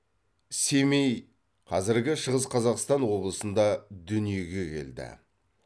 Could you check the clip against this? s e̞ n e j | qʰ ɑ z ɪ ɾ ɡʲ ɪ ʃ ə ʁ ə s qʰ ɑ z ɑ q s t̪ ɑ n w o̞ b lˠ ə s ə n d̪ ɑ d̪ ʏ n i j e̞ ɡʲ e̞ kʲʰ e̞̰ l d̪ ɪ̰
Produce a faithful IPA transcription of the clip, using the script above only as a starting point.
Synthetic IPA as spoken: s e̞ m e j | qʰ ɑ z ɪ ɾ ɡʲ ɪ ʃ ə ʁ ə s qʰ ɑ z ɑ q s t̪ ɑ n w o̞ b lˠ ə s ə n d̪ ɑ d̪ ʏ n i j e̞ ɡʲ e̞ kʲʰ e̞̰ l d̪ ɪ̰